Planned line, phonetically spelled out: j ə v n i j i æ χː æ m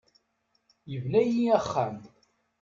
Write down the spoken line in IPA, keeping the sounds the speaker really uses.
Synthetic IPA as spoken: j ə v n æ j i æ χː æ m

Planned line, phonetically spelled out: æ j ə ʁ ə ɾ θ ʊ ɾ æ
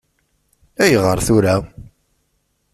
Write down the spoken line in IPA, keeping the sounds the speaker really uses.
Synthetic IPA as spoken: æ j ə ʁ ə ɾ θ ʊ ɾ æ

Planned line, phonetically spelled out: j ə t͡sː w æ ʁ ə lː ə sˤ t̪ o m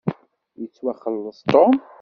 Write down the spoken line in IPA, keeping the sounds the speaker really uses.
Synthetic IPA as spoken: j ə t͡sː w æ χ ə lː ə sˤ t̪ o m

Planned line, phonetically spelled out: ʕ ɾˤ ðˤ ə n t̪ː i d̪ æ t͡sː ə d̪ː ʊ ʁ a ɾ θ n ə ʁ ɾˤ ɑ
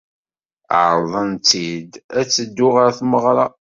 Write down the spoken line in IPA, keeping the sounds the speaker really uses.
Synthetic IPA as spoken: ʕ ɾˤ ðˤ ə n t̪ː i d̪ æ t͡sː ə d̪ː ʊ ʁ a ɾ θ m ə ʁ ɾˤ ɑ

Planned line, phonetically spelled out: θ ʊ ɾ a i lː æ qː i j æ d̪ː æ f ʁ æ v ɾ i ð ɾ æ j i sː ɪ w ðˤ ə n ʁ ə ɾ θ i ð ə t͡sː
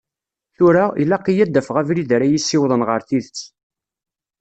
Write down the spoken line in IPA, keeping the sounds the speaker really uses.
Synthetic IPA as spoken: θ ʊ ɾ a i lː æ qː i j æ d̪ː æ f ʁ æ v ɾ i ð ɾ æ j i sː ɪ w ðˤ ə n ʁ ə ɾ θ i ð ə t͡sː

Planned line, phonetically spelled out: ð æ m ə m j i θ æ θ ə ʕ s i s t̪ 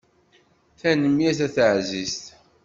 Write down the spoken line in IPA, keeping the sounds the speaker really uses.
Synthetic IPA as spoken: θ æ n ə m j æ θ æ θ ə ʕ z i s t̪

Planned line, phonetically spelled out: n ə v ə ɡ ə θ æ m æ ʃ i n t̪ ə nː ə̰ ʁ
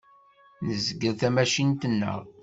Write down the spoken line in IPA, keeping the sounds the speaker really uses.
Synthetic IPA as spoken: n ə z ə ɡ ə θ æ m æ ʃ i n t̪ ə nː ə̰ ʁ

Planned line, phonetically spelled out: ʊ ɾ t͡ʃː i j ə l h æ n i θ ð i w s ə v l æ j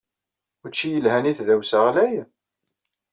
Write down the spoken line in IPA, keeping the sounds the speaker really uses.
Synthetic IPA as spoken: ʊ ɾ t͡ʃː i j ə l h æ n i θ ð æ w s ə ʁ l æ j

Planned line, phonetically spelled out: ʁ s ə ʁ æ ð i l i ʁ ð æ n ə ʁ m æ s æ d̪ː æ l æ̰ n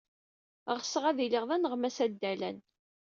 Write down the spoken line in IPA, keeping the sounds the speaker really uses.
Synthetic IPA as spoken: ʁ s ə ʁ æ ð i l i ʁ ð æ n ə ʁ m æ s æ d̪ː æ l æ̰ n

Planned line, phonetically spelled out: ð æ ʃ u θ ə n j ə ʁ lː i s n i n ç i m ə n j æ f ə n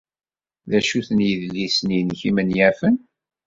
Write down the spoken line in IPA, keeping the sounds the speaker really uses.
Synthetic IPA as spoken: ð æ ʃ u θ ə n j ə ð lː i s n i n ç i m ə n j æ f ə n

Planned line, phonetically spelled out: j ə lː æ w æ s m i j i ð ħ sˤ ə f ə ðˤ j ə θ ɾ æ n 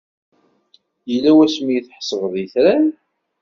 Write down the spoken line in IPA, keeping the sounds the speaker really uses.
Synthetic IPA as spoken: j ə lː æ w æ s m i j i θ ħ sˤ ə v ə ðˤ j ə θ ɾ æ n

